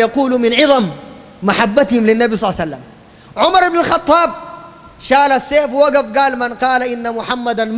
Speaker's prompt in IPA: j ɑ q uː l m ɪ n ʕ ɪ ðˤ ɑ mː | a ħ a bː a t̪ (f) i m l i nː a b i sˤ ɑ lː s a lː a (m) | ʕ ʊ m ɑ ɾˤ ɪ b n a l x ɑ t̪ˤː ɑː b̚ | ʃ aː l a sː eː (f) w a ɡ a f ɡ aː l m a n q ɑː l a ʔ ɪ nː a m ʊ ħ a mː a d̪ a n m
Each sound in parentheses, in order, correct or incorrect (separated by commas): incorrect, correct, correct